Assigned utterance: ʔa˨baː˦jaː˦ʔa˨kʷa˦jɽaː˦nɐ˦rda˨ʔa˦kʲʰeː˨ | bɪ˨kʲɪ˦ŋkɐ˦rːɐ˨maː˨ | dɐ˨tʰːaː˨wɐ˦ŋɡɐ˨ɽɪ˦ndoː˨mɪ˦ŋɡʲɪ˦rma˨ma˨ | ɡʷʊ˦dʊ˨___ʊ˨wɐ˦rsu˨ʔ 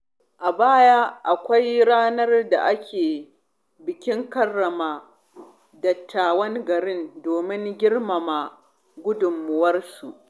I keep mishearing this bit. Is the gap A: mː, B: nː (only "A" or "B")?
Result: A